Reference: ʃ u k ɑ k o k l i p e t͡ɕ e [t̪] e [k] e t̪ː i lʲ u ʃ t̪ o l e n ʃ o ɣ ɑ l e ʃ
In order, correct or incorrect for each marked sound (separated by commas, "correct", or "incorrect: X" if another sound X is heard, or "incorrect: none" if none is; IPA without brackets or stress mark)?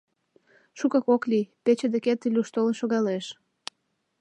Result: incorrect: d̪, correct